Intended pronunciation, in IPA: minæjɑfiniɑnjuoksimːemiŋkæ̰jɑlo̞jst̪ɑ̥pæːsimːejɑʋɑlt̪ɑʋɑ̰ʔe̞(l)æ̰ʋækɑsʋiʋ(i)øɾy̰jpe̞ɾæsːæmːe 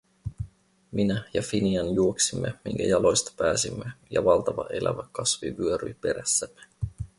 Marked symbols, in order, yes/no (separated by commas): yes, no